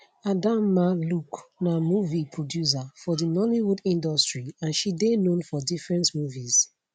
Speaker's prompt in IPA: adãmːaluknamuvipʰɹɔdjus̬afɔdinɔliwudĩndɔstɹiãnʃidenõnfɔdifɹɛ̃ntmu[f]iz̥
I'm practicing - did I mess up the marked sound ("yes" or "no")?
yes